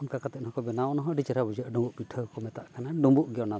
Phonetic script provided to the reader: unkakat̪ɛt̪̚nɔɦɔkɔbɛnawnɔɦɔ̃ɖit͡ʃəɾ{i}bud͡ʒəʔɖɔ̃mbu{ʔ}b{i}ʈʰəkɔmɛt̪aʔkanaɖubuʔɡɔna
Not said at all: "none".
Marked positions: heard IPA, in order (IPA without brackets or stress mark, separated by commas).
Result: a, ʔ, i